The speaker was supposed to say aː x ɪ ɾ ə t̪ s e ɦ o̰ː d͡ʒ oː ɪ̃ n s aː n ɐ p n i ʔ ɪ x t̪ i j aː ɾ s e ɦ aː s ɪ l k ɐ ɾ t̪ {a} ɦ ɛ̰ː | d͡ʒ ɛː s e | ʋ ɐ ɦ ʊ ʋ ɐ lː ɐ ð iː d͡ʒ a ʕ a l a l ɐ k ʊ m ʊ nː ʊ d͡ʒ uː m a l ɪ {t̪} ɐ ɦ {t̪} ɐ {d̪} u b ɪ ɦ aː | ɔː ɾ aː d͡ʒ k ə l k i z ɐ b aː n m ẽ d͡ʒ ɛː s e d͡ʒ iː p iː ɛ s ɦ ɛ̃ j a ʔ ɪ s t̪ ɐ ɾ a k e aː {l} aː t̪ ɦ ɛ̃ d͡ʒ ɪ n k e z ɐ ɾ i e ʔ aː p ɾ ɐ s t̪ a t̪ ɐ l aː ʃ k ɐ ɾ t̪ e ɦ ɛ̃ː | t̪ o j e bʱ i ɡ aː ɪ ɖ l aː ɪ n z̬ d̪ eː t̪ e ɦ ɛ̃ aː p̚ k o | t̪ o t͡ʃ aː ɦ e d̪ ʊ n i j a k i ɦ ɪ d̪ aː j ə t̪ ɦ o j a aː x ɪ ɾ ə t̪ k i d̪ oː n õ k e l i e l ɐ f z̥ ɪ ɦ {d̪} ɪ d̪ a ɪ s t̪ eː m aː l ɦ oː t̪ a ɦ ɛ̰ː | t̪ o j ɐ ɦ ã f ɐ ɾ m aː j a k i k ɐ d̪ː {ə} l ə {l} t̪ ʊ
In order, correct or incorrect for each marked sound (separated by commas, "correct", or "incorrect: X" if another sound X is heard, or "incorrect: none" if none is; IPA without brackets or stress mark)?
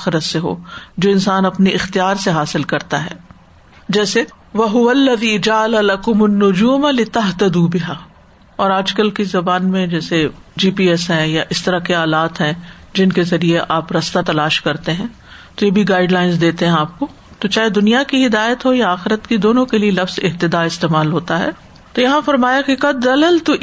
correct, correct, correct, correct, correct, incorrect: t̪, incorrect: ɐ, correct